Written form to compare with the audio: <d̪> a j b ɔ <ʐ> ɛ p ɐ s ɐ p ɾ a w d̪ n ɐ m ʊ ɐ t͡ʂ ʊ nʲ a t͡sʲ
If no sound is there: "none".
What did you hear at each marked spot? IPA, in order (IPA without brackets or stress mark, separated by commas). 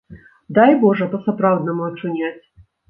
d̪, ʐ